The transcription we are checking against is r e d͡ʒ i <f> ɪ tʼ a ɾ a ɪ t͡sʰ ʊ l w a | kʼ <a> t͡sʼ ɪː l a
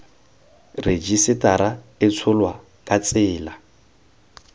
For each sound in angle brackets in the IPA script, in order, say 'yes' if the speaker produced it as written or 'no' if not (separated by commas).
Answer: no, yes